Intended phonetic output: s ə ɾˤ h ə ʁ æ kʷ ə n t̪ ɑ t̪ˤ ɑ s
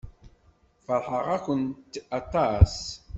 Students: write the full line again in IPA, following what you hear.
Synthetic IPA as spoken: f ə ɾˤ ħ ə ʁ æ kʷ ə n t̪ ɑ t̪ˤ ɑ s